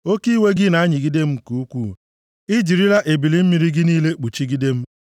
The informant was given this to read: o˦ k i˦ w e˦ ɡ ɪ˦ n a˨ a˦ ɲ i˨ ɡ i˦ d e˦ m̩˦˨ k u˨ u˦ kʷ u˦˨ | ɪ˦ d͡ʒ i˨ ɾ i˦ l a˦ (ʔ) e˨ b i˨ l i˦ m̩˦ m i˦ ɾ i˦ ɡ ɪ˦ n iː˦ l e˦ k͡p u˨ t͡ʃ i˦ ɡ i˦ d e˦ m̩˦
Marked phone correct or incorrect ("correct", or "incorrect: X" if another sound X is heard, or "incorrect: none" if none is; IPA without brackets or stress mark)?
correct